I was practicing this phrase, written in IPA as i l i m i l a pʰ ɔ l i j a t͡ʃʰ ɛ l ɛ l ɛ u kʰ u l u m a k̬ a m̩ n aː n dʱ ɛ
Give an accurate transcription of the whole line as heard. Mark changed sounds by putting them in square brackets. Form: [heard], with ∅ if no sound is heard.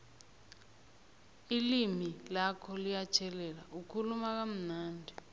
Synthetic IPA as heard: i l i m i l a [kʰ] ɔ l i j a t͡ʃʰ ɛ l ɛ l [a] u kʰ u l u m a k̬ a m̩ n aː n dʱ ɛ